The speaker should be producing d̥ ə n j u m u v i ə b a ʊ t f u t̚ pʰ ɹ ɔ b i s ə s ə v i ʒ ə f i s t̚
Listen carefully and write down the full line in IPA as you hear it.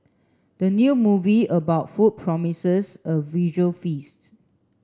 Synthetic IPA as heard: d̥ ə n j u m u v i ə b a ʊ t f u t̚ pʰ ɹ ɔ m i s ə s ə v i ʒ ə f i s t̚